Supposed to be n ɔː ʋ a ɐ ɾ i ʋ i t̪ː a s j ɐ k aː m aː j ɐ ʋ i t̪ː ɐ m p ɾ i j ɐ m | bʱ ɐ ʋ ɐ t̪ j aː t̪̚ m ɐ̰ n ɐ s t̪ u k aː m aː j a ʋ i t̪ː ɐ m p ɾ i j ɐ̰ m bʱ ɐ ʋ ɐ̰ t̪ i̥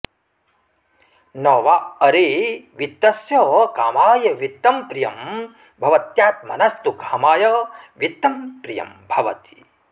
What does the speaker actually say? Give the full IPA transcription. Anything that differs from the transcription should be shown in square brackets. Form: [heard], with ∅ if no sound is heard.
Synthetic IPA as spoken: n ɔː ʋ a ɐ ɾ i ʋ i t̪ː [ɐ] s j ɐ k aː m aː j ɐ ʋ i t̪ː ɐ m p ɾ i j ɐ m | bʱ ɐ ʋ ɐ t̪ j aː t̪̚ m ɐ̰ n ɐ s t̪ u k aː m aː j [ɐ] ʋ i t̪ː ɐ m p ɾ i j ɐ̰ m bʱ ɐ ʋ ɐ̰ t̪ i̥